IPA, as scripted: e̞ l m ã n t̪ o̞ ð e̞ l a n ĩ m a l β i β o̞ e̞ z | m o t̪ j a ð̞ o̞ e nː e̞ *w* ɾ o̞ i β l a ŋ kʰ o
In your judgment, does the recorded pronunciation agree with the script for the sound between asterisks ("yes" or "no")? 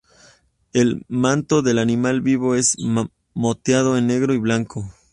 no